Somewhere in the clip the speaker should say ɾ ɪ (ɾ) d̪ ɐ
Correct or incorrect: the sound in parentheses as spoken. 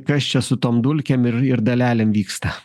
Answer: correct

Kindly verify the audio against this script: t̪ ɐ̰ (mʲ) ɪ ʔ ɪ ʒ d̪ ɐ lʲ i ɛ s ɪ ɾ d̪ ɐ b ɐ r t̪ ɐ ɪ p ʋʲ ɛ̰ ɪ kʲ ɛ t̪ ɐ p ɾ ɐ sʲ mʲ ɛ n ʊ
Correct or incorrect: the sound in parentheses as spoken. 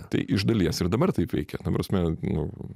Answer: incorrect: none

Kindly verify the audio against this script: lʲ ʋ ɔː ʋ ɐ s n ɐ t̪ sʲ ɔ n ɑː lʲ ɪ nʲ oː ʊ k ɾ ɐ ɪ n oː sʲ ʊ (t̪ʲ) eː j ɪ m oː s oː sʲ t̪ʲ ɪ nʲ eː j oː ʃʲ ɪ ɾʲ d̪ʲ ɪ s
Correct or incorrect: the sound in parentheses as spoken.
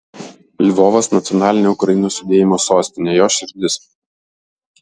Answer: incorrect: d̪ʲ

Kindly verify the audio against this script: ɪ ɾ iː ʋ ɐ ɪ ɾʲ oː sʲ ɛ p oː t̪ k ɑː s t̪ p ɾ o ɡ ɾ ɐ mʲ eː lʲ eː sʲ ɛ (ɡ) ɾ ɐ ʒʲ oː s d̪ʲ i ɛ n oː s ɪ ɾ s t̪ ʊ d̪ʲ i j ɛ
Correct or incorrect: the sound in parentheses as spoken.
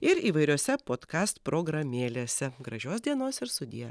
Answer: correct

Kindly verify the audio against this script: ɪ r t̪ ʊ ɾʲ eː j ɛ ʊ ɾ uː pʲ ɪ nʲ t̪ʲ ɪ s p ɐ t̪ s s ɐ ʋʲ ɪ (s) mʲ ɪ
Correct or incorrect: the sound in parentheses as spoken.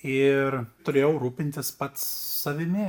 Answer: incorrect: none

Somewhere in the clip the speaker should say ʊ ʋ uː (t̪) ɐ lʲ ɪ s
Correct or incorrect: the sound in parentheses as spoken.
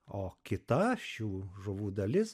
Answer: incorrect: d̪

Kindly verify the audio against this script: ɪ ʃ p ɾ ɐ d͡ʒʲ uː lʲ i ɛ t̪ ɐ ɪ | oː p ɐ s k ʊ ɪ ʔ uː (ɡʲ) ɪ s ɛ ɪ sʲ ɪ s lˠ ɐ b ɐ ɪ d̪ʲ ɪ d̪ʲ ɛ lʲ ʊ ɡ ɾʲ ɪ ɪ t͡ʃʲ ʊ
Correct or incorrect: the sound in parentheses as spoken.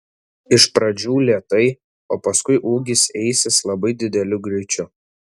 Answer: correct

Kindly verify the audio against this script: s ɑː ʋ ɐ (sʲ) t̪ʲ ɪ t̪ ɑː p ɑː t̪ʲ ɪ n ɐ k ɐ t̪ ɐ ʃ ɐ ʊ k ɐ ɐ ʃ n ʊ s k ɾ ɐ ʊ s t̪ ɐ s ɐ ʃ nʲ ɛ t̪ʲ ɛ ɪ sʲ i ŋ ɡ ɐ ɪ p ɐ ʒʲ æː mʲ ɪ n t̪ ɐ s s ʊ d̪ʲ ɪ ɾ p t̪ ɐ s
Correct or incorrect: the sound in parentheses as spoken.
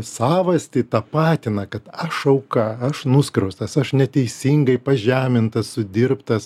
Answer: correct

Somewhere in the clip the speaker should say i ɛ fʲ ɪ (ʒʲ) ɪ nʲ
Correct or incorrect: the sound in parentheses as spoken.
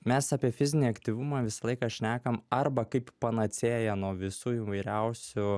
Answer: incorrect: zʲ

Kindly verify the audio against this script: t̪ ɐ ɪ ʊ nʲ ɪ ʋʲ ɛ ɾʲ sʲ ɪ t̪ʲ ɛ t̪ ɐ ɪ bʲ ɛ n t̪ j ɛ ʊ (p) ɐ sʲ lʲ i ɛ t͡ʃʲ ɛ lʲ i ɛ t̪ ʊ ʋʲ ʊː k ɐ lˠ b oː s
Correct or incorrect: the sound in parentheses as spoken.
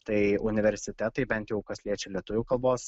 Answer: incorrect: k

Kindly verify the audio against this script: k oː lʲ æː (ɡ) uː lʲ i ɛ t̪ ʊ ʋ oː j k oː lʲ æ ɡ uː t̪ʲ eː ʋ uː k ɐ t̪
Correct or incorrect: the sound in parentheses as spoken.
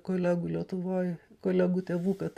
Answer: correct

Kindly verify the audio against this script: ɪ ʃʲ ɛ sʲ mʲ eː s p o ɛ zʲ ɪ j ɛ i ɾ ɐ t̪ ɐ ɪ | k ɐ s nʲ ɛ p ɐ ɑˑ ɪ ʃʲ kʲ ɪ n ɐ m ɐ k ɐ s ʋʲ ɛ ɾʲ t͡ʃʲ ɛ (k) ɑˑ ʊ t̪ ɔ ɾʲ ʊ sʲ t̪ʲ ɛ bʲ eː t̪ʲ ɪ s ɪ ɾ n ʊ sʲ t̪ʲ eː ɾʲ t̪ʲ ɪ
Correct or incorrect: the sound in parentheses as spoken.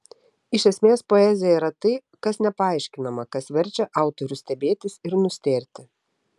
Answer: incorrect: ʔ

